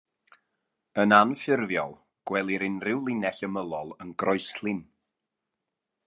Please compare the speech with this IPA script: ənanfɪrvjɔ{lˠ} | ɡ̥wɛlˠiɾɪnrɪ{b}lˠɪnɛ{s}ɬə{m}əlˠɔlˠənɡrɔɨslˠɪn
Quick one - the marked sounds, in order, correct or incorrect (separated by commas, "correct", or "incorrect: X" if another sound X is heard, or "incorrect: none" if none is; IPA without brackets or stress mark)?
correct, incorrect: w, incorrect: none, correct